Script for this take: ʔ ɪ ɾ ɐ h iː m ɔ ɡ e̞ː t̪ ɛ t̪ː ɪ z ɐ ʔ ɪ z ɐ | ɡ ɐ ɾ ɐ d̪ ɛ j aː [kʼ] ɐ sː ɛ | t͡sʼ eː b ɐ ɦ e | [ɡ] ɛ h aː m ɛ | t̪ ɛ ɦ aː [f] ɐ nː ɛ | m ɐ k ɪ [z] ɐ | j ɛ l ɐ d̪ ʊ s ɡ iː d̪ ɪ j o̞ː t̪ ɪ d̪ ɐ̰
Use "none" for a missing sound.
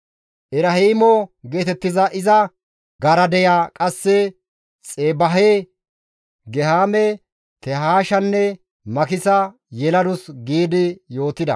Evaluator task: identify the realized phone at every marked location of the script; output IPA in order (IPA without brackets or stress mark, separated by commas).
kʼ, ɡ, ʃ, s